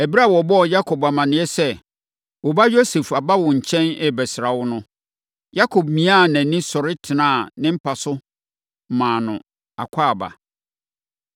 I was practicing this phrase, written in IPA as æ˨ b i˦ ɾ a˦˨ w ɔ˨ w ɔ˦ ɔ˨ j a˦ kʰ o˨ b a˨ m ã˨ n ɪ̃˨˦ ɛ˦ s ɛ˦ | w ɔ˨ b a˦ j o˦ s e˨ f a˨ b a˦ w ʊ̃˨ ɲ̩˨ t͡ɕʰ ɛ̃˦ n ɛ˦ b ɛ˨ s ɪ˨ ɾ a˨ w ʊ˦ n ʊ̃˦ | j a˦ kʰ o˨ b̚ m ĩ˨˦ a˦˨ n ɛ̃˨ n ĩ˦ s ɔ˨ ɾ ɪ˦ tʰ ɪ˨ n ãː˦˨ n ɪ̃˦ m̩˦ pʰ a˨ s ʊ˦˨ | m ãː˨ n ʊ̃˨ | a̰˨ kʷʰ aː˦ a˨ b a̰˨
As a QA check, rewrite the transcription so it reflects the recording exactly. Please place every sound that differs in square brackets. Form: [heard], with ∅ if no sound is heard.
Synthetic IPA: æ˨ b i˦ ɾ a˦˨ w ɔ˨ [b] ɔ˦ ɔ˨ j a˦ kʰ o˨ b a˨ m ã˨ n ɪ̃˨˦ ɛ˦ s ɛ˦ | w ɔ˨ b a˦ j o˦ s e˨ f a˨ b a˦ w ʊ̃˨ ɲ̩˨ t͡ɕʰ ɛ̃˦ n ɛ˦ b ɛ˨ s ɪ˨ ɾ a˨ w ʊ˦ n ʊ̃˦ | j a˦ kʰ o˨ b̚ m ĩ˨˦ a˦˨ n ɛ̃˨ n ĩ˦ s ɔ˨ ɾ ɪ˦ tʰ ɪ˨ n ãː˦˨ n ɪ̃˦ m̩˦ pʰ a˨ s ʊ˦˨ | m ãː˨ n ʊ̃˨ | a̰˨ kʷʰ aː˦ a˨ b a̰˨